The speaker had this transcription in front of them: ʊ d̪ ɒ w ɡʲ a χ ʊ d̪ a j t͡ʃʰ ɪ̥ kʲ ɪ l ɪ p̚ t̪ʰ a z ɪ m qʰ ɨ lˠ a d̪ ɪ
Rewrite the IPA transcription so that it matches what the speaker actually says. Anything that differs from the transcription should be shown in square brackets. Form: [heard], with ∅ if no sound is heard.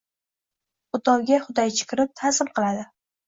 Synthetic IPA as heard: ʊ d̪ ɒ w ɡʲ a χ ʊ d̪ a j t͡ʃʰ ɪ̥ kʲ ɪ [ɾ] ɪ p̚ t̪ʰ a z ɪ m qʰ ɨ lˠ a d̪ ɪ